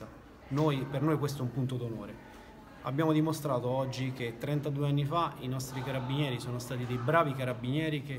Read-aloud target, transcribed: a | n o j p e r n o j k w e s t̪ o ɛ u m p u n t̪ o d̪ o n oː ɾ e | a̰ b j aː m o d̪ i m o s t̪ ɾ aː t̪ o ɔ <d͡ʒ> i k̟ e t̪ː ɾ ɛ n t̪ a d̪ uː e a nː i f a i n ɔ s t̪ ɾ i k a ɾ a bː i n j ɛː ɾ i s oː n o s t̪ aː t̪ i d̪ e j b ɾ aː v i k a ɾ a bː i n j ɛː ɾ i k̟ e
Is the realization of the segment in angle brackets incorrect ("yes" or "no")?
yes